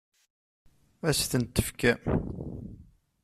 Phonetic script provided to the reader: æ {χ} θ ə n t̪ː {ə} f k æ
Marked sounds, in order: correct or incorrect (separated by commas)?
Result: incorrect, correct